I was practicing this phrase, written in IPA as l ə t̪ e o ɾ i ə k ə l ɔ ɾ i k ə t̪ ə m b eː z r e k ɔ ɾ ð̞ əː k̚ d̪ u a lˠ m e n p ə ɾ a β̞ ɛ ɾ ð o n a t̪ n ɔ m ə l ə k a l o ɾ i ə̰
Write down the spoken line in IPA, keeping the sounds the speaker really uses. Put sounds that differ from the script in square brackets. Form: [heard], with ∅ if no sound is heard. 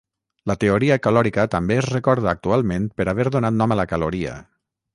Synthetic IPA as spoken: l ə t̪ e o ɾ i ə k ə l ɔ ɾ i k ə t̪ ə m b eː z r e k ɔ ɾ ð̞ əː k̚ [t̪] u a lˠ m e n p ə ɾ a β̞ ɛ ɾ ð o n a t̪ n ɔ m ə l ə k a l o ɾ i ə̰